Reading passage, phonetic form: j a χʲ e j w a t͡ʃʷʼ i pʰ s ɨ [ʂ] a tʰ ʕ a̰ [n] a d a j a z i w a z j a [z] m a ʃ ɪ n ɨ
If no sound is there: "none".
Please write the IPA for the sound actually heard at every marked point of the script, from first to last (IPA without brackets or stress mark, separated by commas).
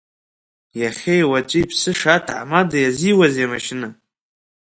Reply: ʂ, m, none